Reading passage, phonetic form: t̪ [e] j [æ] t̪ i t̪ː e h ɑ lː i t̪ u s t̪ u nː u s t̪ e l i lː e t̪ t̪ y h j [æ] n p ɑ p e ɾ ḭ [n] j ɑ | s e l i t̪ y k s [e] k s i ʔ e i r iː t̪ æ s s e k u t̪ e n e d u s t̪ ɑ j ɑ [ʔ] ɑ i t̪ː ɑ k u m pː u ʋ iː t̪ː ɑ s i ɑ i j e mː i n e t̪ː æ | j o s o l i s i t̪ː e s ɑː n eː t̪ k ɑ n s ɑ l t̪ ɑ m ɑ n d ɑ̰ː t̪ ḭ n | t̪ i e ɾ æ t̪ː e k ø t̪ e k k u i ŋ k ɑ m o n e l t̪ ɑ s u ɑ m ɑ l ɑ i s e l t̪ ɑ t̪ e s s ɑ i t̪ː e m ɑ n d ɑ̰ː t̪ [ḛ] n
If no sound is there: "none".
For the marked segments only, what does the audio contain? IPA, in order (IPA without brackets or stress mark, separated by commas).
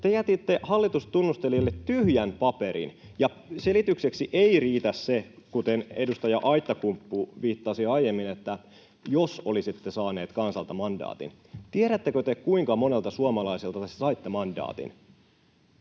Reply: e, æ, æ, n, e, ʔ, ḭ